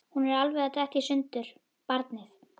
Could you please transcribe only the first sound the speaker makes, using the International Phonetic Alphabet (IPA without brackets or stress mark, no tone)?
h